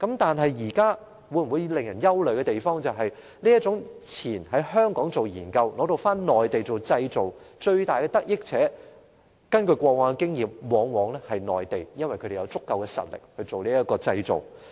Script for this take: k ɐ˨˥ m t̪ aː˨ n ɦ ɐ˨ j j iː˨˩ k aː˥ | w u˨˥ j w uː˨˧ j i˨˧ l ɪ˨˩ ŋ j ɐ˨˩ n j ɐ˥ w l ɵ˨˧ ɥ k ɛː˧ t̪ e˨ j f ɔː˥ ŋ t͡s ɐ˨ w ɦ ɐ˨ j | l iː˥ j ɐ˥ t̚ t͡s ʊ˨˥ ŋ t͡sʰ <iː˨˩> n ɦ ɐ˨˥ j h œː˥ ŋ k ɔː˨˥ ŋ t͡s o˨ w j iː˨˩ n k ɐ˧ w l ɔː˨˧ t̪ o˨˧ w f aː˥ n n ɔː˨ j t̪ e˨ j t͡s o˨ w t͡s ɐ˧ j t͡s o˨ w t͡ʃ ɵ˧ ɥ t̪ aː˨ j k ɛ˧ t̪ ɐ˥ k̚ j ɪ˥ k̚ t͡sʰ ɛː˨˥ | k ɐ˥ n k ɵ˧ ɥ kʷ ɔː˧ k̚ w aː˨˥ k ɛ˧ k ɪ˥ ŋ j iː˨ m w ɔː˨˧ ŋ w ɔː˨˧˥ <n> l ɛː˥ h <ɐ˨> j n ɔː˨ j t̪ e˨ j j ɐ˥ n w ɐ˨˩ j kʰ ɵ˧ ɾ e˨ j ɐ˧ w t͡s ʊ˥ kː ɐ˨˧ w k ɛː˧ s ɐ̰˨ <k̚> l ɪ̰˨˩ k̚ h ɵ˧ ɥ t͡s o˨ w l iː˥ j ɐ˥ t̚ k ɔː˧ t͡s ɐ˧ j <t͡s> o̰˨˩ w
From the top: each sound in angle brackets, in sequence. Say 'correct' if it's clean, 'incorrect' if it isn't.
correct, incorrect: ŋ, correct, incorrect: t̚, correct

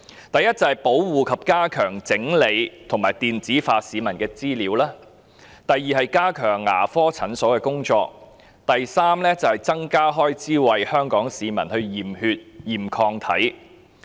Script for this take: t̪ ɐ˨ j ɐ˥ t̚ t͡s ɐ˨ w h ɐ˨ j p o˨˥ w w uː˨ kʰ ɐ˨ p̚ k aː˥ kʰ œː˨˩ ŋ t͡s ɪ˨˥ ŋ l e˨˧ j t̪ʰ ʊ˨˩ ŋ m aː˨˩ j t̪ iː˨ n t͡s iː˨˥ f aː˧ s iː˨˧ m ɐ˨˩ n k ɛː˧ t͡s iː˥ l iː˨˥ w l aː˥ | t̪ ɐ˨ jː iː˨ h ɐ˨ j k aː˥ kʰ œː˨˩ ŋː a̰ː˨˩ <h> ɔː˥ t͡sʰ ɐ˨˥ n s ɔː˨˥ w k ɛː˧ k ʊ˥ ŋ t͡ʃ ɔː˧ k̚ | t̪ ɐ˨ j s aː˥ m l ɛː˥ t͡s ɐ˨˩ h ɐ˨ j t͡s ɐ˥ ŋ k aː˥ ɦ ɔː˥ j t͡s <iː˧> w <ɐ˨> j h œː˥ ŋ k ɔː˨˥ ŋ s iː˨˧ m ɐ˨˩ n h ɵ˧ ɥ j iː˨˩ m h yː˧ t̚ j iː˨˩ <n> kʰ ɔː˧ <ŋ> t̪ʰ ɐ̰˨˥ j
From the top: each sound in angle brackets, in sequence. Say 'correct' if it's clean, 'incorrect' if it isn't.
incorrect: f, incorrect: iː˥, correct, incorrect: m, correct

